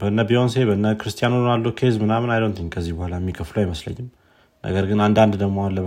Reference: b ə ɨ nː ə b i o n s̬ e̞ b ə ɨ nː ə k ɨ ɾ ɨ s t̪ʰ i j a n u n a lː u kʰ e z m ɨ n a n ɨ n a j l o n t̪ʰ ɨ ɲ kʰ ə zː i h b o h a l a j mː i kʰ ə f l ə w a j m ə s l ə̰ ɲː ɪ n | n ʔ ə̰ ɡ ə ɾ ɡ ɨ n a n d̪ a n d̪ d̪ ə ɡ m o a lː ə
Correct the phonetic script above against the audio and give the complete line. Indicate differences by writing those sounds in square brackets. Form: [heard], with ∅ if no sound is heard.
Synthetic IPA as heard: b ə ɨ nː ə b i o n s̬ e̞ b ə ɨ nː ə k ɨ ɾ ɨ s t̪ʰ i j a n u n a lː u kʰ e z m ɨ n a [m] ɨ n a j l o n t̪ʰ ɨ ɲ kʰ ə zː i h b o h a l a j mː i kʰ ə f l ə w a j m ə s l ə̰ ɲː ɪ [m] | n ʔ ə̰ ɡ ə ɾ ɡ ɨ n a n d̪ a n d̪ d̪ ə ɡ m o a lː ə